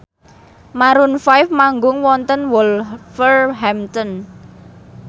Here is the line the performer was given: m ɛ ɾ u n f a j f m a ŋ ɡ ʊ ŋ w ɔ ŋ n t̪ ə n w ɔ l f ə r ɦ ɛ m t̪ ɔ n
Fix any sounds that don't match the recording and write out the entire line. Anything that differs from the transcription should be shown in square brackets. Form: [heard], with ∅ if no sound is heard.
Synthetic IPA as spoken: m [a] ɾ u n f a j f m a ŋ ɡ ʊ ŋ w ɔ [∅] n t̪ ə n w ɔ l f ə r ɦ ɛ m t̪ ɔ n